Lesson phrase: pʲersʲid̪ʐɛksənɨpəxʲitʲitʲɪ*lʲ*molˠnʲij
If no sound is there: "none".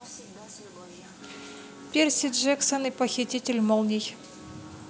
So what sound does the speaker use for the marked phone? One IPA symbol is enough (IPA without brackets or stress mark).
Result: lʲ